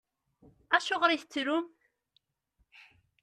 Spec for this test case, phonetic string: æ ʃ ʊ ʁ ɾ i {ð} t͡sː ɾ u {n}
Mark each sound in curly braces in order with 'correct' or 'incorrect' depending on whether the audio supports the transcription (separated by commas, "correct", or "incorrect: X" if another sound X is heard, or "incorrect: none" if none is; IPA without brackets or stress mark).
incorrect: θ, incorrect: m